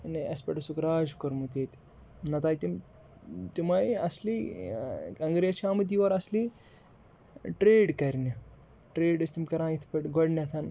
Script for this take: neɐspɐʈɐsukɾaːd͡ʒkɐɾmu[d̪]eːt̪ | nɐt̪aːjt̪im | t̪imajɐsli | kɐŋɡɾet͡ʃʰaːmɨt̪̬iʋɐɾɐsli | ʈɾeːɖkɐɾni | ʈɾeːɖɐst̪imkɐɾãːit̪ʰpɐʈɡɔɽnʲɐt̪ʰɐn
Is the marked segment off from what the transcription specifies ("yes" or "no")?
yes